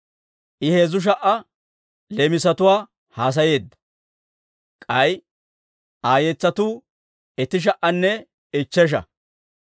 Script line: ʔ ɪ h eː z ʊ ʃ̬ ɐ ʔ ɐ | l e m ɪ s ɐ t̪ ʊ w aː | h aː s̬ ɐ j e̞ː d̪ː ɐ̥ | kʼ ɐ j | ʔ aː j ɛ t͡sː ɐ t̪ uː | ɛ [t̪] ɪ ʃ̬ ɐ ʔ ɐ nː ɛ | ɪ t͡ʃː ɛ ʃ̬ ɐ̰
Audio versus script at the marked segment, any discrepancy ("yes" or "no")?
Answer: no